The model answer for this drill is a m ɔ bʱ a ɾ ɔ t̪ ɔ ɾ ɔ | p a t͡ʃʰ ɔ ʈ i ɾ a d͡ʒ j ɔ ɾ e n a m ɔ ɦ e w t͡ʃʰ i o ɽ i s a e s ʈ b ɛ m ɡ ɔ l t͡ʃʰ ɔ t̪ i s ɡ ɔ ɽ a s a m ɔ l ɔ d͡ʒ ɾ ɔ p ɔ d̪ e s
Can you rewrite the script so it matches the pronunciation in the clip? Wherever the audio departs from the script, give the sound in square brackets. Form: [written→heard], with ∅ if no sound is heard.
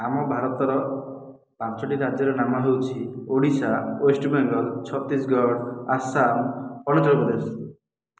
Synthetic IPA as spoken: a m ɔ bʱ a ɾ ɔ t̪ ɔ ɾ ɔ | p a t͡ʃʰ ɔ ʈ i ɾ a d͡ʒ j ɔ ɾ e n a m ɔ ɦ e w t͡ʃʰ i o ɽ i s a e s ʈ b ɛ [m→ŋ] ɡ ɔ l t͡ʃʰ ɔ t̪ i s ɡ ɔ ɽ a s a m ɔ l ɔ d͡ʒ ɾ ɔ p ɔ d̪ e s